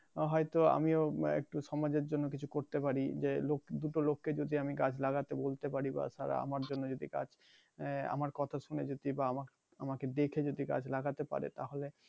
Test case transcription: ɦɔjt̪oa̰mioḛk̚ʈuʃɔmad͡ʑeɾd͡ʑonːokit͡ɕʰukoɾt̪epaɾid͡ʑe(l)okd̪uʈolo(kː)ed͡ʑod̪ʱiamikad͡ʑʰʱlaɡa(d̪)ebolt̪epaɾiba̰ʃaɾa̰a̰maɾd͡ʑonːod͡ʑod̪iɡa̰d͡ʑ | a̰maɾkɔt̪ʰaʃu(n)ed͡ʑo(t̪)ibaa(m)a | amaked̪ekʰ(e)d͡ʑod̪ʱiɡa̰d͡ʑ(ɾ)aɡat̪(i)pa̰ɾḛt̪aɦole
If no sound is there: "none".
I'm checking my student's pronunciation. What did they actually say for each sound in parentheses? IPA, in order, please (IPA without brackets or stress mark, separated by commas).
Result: l, kː, t̪, n, d̪, m, e, l, e